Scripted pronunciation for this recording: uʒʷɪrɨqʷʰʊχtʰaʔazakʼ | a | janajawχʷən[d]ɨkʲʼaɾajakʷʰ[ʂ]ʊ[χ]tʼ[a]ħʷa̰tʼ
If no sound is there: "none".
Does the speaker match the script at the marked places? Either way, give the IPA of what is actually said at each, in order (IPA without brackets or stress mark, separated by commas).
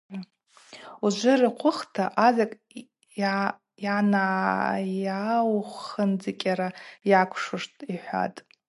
d͡z, ʂ, ʂ, i